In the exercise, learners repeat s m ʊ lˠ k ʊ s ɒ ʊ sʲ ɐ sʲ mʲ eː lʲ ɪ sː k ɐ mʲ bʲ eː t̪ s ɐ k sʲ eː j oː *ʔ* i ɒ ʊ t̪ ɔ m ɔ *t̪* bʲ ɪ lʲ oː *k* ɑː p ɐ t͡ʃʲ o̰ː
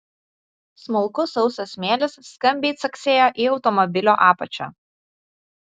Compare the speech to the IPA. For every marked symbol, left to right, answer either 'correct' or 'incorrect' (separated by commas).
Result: correct, incorrect, incorrect